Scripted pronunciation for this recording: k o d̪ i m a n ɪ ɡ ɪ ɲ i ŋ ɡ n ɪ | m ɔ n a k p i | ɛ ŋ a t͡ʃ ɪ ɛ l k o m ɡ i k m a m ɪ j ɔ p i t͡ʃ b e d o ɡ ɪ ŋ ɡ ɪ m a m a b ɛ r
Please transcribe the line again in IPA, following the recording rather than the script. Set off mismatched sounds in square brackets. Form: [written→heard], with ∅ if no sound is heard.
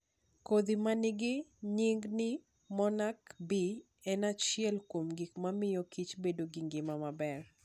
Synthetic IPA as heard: k o d̪ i m a n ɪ ɡ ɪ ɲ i ŋ ɡ n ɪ | m ɔ n a k [p→b] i | ɛ [ŋ→n] a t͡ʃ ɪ ɛ l k o m ɡ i k m a m ɪ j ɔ [p→k] i t͡ʃ b e d o ɡ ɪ ŋ ɡ ɪ m a m a b ɛ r